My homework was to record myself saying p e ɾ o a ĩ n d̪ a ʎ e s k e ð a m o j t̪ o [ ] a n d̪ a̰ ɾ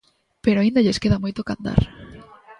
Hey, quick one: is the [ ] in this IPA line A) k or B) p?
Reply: A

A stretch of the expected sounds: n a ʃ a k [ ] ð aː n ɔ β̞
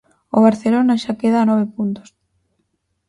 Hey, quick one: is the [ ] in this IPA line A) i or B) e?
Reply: B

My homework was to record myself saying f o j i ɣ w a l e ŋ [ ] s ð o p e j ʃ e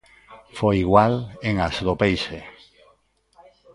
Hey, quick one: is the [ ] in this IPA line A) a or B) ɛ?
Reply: A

